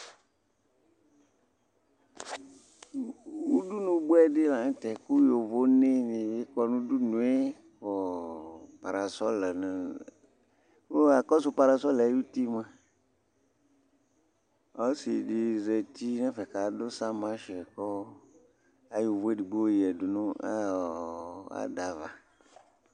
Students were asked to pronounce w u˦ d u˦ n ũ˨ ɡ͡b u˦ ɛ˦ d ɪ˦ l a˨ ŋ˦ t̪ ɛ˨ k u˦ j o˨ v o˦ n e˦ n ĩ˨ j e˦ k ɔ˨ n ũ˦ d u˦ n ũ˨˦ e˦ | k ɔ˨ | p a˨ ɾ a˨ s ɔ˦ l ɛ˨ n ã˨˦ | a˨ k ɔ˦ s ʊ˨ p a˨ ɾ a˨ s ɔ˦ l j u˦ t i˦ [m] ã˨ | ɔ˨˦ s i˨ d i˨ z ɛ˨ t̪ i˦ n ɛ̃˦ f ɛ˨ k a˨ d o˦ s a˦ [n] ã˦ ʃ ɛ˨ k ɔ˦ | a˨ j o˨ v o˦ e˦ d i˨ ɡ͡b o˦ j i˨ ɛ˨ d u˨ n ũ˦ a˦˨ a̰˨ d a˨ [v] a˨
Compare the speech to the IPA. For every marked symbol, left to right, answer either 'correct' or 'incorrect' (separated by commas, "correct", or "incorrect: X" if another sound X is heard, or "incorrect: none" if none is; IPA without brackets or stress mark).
correct, incorrect: m, correct